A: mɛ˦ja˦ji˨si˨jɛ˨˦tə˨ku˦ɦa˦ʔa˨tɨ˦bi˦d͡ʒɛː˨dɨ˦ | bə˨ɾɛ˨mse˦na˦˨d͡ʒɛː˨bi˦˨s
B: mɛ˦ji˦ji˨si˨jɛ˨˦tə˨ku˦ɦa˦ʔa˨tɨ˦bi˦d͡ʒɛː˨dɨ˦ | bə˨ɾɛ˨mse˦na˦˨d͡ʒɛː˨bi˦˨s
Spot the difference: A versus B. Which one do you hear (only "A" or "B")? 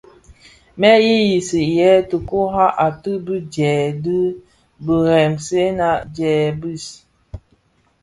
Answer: B